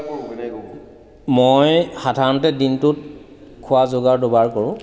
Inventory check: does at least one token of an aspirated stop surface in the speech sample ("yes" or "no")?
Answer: yes